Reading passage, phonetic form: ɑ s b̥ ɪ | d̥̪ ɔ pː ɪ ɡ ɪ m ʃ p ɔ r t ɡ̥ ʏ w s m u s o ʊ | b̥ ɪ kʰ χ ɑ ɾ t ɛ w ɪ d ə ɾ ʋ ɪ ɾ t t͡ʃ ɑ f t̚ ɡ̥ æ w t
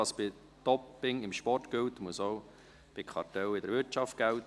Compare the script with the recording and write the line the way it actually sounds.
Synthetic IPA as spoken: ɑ s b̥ ɪ | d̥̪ ɔ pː ɪ ŋ ɪ m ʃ p ɔ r t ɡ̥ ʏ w t m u s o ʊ | b̥ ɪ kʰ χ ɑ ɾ t ɛ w ɪ d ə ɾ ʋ ɪ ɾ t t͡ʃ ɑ f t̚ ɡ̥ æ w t

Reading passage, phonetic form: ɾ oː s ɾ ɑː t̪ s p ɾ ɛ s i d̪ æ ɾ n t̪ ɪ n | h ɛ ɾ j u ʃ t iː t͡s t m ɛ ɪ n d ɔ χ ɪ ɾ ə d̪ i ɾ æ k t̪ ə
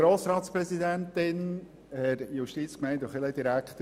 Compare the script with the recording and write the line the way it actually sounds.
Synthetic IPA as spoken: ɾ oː s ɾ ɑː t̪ s p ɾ ɛ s i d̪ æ n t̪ ɪ n | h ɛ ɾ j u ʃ t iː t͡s k m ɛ ɪ n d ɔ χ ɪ l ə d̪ i ɾ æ k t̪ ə

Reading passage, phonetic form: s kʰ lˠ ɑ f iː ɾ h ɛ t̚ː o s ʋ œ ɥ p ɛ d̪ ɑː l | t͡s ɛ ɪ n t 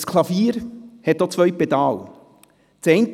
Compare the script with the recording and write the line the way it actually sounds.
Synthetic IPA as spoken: s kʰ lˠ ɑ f iː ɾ h ɛ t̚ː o t͡s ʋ œ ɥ p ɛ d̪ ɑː l | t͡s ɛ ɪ n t

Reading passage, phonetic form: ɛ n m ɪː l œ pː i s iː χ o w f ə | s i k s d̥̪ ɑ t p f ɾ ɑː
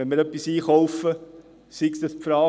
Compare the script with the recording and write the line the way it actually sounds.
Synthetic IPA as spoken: ɛ n m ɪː ɾ œ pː i s iː χ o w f ə | s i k s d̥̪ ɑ s p f ɾ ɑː

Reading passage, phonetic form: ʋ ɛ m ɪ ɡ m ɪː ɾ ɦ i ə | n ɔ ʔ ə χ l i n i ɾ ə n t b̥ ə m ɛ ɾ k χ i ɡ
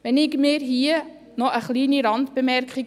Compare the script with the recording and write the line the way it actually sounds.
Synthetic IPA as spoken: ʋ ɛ n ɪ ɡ m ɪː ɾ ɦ i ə | n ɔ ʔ ə χ l iː n i ɾ ɑ n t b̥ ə m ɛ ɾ k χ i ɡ

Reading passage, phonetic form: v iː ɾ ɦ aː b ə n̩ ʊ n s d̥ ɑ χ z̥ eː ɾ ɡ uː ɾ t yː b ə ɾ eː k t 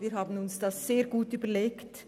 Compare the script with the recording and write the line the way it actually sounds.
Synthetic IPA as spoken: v iː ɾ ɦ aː b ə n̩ ʊ n s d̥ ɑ s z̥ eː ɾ ɡ uː t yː b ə l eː k t

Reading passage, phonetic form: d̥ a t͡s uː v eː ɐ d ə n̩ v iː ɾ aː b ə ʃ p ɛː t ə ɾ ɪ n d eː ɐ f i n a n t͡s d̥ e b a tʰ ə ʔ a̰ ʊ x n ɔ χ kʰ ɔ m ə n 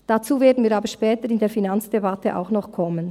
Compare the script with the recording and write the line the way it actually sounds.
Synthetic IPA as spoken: d̥ a t͡s uː v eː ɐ d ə n̩ v iː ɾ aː b ə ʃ p ɛː t ə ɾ ɪ n d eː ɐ f i n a n t͡s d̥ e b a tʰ ə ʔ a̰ ʊ x n ɔ χ kʰ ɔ m ə n

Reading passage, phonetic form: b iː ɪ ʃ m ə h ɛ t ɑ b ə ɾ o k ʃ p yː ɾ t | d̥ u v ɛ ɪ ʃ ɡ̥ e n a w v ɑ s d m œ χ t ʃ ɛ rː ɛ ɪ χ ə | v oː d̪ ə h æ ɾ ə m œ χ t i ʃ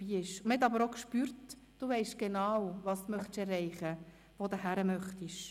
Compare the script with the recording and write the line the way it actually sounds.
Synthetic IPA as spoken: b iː ɪ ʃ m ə h ɛ t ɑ b ə ɾ o k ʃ p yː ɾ t | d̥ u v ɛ ɪ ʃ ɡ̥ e n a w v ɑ s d m œ χ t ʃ ɛ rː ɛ ɪ χ ə | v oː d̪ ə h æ ɾ ə m œ χ t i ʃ

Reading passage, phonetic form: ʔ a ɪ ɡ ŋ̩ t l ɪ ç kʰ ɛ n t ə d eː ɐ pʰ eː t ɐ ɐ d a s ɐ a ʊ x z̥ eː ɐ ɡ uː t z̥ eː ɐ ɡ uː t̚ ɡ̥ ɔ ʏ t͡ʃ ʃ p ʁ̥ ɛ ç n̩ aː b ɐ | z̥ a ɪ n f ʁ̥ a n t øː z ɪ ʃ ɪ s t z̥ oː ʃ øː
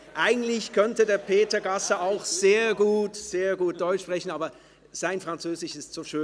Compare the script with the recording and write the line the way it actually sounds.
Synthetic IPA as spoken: ʔ a ɪ ɡ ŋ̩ t l ɪ ç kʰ œ n t ə d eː ɐ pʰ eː t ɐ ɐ ɡ a s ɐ a ʊ x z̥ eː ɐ ɡ uː t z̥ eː ɐ ɡ uː t̚ d̥ ɔ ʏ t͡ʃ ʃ p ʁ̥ ɛ ç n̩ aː b ɐ | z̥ a ɪ n f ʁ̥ a n t͡s øː z ɪ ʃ ɪ s t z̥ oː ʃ øː

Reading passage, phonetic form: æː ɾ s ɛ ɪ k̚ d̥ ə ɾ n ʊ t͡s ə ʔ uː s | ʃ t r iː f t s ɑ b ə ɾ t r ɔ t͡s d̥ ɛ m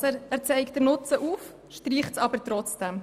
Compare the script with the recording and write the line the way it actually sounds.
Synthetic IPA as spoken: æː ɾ t͡s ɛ ɪ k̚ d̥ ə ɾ n ʊ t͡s ə ʔ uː f | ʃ t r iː χ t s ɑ b ə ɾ t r ɔ t͡s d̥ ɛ m

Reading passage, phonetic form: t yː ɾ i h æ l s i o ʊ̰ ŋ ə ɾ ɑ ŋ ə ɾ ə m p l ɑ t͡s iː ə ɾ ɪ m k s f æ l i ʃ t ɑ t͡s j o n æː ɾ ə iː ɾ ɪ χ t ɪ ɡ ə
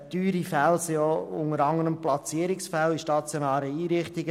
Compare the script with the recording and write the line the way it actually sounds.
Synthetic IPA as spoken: t yː ɾ i f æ l s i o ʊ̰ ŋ ə ɾ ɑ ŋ ə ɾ ə m p l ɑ t͡s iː ə ɾ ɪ k s f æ l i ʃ t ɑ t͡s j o n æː ɾ ə iː ɾ ɪ χ t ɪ ɡ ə

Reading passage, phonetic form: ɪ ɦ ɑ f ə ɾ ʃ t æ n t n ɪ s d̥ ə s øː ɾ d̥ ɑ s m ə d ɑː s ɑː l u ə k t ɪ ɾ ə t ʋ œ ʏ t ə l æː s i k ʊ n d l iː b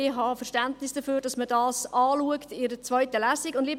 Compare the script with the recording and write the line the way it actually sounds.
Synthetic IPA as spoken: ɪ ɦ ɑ f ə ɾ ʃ t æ n t n ɪ s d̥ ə f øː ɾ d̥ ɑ s m ə d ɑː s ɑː l u ə k t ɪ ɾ ə t͡s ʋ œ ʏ t ə l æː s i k ʊ n d l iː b

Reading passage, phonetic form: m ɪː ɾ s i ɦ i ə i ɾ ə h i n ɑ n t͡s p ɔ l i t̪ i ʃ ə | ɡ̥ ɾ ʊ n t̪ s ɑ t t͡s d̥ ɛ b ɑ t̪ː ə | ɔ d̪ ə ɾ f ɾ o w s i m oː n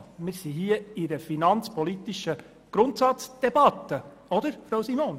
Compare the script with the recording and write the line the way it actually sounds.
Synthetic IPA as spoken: m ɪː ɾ s i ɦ i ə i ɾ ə f i n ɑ n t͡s p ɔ l i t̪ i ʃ ə | ɡ̥ ɾ ʊ n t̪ s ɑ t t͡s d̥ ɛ b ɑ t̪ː ə | ɔ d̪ ə ɾ f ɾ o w s i m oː n

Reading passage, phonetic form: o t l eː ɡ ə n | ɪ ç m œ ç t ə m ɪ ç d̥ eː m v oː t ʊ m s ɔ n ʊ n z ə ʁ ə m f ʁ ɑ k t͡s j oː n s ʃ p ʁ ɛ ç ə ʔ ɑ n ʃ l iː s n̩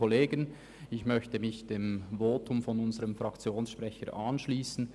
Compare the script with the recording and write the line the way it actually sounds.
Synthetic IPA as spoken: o l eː ɡ ə n | ɪ ç m œ ç t ə m ɪ ç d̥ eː m v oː t ʊ m f ɔ n ʊ n z ə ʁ ə m f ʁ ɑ k t͡s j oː n s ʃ p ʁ ɛ ç ə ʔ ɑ n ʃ l iː s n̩

